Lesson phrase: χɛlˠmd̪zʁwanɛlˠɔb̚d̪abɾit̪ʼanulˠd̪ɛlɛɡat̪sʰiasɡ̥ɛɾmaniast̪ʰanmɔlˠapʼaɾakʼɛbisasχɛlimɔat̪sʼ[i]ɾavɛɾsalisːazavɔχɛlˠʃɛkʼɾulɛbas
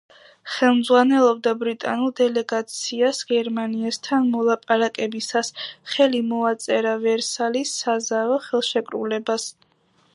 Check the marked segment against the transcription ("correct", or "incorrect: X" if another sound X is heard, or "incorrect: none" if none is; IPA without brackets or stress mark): incorrect: ɛ